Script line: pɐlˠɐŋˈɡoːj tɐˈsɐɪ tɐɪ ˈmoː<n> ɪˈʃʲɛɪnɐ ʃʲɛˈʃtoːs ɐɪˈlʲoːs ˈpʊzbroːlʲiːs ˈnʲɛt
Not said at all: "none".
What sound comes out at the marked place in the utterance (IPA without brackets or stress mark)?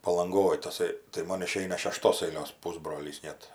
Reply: n